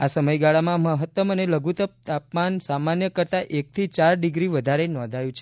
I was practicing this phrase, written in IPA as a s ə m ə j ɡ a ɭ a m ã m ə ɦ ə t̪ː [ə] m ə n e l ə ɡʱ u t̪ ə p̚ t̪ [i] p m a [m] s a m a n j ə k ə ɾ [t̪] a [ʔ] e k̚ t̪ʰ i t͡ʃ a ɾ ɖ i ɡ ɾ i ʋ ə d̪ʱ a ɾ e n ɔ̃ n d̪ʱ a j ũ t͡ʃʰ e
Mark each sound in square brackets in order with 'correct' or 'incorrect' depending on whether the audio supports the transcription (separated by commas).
correct, incorrect, incorrect, correct, correct